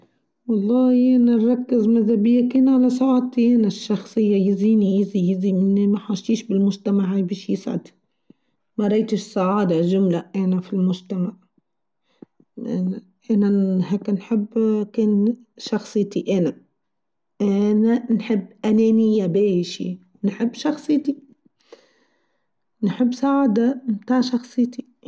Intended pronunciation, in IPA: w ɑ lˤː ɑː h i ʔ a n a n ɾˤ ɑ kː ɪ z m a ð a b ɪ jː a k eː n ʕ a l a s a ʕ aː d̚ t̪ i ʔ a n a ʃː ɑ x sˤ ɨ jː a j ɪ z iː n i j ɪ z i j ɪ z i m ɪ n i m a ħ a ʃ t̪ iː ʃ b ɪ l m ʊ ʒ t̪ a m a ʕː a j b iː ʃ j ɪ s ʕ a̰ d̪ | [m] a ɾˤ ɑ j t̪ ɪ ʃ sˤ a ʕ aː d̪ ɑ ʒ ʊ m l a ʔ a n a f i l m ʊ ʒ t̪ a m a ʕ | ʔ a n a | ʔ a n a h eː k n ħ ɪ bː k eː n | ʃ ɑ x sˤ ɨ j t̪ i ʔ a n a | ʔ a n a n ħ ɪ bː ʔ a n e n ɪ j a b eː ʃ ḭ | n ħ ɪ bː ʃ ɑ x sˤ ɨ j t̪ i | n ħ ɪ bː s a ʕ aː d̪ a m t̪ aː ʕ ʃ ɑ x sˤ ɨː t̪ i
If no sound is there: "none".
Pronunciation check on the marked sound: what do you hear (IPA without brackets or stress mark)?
m